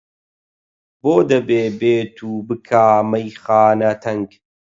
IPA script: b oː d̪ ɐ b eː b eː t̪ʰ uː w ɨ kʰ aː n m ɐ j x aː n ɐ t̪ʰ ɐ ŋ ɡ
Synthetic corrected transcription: b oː d̪ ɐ b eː b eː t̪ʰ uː b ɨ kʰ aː m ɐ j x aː n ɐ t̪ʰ ɐ ŋ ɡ